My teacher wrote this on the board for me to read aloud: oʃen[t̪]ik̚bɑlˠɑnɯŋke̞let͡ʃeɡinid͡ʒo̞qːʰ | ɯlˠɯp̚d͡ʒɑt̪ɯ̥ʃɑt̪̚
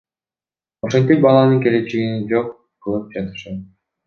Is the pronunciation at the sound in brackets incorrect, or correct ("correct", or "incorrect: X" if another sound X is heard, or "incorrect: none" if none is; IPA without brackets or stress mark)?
correct